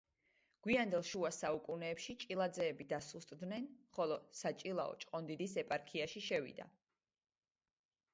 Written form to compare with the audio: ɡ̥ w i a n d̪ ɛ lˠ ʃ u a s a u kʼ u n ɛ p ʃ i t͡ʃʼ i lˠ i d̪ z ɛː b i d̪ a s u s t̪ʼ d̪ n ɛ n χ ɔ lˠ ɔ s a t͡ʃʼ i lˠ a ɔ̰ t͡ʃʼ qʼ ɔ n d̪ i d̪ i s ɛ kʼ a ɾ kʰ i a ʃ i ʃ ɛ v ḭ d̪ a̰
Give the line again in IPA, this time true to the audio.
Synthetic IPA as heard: ɡ̥ w i a n d̪ ɛ lˠ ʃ u a s a u kʼ u n ɛː p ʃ i t͡ʃʼ i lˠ a d̪ z ɛː b i d̪ a s u s t̪ʼ d̪ n ɛ n χ ɔ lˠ ɔ s a t͡ʃʼ i lˠ a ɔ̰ t͡ʃʼ qʼ ɔ n d̪ i d̪ i s ɛ pʼ a ɾ kʰ i a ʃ i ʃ ɛ v ḭ d̪ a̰